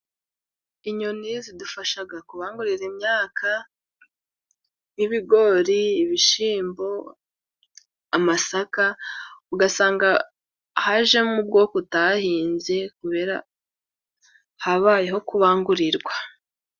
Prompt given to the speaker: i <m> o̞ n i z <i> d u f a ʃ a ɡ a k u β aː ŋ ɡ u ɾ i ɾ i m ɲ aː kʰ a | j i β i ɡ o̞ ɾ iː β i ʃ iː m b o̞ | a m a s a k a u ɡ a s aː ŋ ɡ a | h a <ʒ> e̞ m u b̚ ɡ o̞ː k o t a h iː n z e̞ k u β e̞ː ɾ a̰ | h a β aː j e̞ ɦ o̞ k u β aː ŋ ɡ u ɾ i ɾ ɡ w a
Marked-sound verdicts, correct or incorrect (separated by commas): incorrect, correct, correct